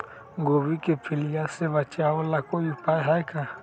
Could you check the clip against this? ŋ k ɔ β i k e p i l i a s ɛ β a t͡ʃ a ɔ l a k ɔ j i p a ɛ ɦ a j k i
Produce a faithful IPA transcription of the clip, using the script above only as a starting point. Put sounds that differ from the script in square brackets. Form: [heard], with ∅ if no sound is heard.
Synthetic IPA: ŋ [ɡ] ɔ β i k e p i l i a s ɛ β a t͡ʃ a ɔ l a k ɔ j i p a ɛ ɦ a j k [a]